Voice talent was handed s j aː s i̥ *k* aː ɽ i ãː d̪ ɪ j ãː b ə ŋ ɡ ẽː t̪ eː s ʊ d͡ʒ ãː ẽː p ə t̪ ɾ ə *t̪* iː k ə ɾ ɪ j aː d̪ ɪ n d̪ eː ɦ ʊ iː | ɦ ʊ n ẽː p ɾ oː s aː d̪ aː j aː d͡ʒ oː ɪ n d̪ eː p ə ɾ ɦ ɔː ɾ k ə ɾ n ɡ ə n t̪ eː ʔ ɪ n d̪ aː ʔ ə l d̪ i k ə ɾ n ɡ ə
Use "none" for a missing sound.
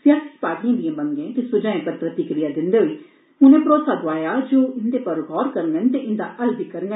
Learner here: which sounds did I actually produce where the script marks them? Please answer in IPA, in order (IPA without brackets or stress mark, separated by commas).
p, t̪